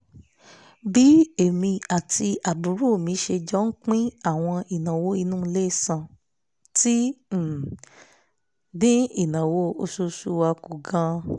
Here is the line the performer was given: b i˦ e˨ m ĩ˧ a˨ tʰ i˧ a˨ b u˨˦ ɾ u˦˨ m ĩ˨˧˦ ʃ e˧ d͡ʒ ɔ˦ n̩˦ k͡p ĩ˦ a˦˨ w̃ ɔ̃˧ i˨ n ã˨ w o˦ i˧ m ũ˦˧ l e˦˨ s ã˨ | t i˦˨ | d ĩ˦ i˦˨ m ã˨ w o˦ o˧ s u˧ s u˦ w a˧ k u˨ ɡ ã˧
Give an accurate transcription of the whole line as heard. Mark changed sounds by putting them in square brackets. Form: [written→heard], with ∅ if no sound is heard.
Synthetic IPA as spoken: b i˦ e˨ m ĩ˧ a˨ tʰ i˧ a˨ b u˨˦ ɾ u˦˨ m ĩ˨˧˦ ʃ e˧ d͡ʒ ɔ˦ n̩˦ k͡p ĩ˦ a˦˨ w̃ ɔ̃˧ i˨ n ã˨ w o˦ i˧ [m→n] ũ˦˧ l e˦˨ s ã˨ | t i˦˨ | d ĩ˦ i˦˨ [m→n] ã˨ w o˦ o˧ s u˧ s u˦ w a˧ k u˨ ɡ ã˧